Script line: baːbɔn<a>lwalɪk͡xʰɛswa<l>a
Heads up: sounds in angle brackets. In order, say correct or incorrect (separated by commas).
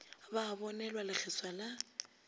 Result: incorrect, correct